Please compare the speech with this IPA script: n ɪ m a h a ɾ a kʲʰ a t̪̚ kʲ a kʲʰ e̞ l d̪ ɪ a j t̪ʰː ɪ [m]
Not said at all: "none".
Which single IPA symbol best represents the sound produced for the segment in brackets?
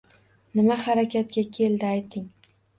ŋ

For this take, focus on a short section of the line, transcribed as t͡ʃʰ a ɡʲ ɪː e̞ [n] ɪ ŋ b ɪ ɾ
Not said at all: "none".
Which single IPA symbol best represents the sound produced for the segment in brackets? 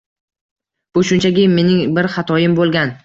n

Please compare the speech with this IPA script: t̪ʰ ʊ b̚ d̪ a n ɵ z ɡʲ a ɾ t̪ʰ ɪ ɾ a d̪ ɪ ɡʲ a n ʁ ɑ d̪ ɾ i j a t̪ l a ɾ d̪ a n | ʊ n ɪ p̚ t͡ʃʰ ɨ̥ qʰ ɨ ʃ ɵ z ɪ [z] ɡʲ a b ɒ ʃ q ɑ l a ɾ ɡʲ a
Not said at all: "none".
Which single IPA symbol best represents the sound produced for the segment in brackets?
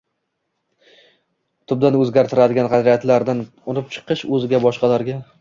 none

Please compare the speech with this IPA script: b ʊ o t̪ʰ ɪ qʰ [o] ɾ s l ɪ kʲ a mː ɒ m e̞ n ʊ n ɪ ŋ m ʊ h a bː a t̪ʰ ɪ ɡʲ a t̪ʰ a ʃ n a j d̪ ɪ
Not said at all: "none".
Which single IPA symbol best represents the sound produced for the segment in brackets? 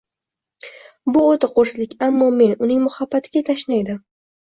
o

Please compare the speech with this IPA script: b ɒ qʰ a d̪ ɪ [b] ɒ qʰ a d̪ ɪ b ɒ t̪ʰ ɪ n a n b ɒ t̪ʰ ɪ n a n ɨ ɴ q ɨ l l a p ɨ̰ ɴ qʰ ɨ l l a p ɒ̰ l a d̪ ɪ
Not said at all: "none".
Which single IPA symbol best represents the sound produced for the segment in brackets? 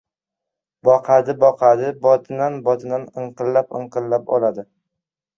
b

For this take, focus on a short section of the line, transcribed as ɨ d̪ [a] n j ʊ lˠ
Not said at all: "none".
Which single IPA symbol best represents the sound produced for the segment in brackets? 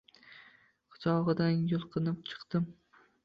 a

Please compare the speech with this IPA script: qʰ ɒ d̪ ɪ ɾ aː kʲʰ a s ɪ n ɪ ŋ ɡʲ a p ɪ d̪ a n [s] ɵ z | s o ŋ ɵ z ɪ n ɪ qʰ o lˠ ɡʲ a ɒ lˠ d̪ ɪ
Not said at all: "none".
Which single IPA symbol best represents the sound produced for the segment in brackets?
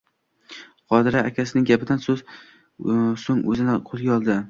s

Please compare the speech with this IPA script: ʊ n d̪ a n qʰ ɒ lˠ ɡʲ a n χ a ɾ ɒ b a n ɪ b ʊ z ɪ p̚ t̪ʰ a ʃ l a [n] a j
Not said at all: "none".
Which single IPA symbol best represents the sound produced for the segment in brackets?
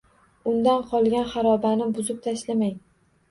m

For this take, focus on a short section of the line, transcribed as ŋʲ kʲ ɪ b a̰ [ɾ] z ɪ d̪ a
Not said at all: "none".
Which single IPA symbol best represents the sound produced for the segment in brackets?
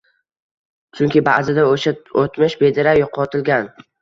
none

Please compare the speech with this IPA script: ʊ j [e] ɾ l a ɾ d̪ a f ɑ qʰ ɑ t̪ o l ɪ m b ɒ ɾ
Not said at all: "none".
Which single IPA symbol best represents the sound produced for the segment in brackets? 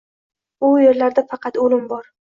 e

